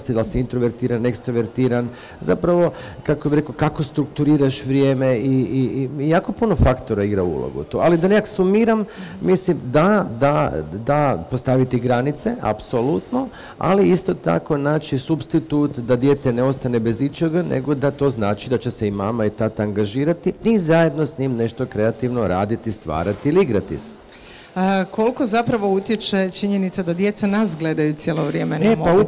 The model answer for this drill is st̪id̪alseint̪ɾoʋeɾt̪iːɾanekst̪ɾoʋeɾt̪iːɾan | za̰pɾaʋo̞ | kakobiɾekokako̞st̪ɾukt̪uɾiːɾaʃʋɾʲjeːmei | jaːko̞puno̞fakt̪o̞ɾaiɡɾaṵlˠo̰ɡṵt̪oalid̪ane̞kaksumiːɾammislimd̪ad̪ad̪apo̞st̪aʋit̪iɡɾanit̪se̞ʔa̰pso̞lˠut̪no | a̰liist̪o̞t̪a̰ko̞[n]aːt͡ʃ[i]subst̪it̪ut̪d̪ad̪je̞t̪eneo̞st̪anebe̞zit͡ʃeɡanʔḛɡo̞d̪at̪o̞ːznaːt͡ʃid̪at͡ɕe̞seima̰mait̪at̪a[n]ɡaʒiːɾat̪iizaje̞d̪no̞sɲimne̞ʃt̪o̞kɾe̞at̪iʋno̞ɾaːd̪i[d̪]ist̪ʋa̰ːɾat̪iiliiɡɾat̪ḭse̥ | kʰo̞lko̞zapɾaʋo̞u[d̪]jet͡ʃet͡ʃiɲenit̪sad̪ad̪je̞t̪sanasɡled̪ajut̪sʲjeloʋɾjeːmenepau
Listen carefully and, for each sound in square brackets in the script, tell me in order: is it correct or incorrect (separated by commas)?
correct, correct, incorrect, incorrect, incorrect